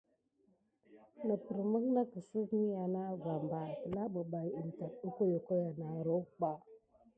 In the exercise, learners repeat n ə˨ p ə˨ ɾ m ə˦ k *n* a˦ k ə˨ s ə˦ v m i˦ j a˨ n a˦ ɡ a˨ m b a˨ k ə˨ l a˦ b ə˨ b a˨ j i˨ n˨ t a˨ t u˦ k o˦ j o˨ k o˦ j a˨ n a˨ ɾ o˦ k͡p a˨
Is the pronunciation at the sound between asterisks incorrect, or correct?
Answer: correct